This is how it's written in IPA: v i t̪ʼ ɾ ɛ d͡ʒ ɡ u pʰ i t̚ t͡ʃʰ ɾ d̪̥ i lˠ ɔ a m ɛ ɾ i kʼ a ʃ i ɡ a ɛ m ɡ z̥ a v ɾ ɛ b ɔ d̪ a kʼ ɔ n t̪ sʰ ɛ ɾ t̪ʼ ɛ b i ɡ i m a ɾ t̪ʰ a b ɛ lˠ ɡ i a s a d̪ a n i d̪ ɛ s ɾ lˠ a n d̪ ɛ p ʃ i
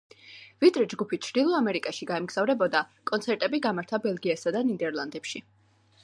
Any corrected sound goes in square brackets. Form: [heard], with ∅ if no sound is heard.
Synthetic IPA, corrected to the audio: v i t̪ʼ ɾ ɛ d͡ʒ ɡ u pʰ i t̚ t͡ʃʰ ɾ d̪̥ i lˠ ɔ a m ɛ ɾ i kʼ a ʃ i ɡ a ɛ m ɡ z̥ a v ɾ ɛ b ɔ d̪ a kʼ ɔ n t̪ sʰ ɛ ɾ t̪ʼ ɛ b i ɡ [a] m a ɾ t̪ʰ a b ɛ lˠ ɡ i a s a d̪ a n i d̪ ɛ [∅] ɾ lˠ a n d̪ ɛ p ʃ i